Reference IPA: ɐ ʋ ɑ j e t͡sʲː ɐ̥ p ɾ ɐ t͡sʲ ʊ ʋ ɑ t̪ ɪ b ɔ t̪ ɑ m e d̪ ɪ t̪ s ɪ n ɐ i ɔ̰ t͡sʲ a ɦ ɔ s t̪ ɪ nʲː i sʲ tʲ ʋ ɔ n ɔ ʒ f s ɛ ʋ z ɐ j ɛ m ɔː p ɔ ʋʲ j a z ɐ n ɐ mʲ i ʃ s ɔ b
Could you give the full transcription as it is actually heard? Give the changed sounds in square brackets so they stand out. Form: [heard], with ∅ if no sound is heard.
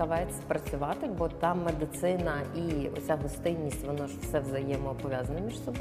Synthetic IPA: ɐ ʋ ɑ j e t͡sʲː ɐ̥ p ɾ ɐ t͡sʲ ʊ ʋ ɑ t̪ ɪ b ɔ t̪ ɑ m e d̪ ɪ t̪ s ɪ n ɐ i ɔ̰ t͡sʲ a ɦ ɔ s t̪ ɪ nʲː i sʲ tʲ ʋ ɔ n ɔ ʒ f s ɛ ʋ z ɐ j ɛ m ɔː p ɔ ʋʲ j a z ɐ n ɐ mʲ i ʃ s ɔ b